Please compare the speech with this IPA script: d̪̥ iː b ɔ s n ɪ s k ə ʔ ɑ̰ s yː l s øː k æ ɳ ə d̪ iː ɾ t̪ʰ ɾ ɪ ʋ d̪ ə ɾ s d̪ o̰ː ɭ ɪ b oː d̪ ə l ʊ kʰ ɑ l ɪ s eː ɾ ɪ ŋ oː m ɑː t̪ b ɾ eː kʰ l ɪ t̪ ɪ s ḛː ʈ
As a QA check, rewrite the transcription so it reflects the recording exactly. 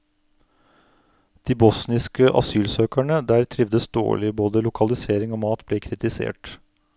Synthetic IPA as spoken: d̪̥ iː b ɔ s n ɪ s k ə ʔ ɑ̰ s yː l s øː k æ ɳ ə d̪ æː ɾ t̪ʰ ɾ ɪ ʋ d̪ ə s d̪ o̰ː ɭ ɪ b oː d̪ ə l ʊ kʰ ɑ l ɪ s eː ɾ ɪ ŋ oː m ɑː t̪ b l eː kʰ ɾ ɪ t̪ ɪ s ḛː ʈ